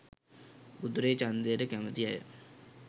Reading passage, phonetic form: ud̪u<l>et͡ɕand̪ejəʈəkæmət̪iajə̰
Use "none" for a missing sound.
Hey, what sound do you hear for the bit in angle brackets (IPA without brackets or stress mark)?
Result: ɾ